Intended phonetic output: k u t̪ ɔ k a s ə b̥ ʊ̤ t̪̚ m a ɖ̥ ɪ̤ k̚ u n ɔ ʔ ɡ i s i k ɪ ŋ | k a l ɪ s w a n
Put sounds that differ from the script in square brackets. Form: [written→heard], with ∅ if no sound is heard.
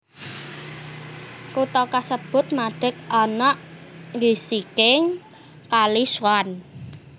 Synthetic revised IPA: k u t̪ ɔ k a s ə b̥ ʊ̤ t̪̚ m a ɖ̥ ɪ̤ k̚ [u→ɔ] n ɔ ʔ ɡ i s i k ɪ ŋ | k a l [ɪ→i] s w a n